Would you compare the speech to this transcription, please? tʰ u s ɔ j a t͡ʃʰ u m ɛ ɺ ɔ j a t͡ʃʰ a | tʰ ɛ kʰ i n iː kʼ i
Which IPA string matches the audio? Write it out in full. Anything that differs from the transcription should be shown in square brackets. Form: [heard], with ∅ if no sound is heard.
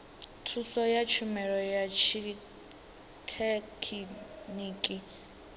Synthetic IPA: tʰ u s ɔ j a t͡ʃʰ u m ɛ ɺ ɔ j a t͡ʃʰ [i] | tʰ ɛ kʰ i n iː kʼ i